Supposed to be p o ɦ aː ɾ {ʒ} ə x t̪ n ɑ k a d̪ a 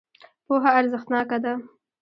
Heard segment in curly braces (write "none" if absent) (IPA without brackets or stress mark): z